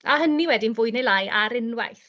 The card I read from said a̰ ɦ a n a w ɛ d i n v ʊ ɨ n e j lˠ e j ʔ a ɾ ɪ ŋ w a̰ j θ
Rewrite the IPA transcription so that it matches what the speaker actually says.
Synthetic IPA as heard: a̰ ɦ ə n i w ɛ d i n v ʊ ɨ n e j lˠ a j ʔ a ɾ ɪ n w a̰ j θ